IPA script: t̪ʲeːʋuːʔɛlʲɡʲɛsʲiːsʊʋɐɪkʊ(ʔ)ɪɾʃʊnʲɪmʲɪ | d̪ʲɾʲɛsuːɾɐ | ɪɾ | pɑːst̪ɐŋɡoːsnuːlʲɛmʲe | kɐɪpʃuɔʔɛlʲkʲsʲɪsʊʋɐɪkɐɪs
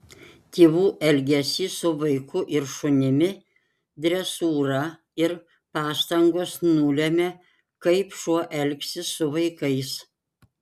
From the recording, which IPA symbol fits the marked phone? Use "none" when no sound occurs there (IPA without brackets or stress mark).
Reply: ʔ